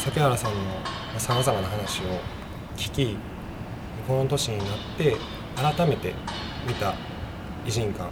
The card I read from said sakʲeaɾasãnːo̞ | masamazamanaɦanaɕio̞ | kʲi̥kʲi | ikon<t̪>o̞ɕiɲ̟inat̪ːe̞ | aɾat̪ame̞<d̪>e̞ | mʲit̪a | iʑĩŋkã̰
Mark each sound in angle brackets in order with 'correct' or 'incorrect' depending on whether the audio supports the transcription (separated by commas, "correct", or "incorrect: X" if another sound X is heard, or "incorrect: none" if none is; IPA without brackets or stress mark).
correct, incorrect: t̪